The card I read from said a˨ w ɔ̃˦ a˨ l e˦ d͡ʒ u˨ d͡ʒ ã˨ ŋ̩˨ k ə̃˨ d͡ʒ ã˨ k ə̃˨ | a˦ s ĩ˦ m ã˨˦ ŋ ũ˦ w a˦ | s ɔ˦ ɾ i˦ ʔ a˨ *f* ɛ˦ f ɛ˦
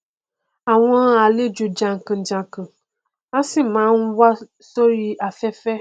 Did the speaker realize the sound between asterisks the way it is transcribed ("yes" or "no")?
yes